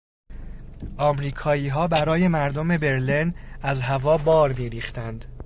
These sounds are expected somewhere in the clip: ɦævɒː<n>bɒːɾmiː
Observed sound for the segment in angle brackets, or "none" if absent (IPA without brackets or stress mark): none